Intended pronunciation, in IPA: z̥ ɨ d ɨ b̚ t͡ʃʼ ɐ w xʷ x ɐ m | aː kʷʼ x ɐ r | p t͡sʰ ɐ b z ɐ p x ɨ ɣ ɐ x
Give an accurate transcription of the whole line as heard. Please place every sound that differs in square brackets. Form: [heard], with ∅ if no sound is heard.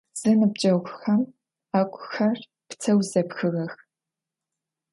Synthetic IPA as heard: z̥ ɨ [n] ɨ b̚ t͡ʃʼ ɐ w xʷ x ɐ m | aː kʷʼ x ɐ r | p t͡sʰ ɐ [w] z ɐ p x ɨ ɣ ɐ x